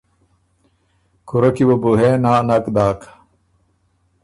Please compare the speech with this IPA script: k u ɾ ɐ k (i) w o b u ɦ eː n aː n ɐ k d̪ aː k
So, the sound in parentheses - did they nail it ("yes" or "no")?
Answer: yes